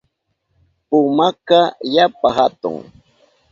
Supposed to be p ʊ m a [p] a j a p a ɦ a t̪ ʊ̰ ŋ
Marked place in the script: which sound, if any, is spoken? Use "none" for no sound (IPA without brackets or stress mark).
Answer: k